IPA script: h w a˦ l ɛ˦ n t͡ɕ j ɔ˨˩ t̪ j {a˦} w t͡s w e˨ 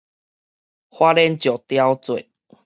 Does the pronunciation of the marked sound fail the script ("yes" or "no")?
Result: no